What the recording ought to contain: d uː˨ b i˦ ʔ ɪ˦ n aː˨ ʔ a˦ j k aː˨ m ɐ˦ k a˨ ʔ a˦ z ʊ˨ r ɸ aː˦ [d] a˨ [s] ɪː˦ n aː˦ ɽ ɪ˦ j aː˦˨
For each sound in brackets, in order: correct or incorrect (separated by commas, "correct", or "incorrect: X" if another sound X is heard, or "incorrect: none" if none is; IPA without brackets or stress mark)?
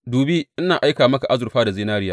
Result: correct, incorrect: z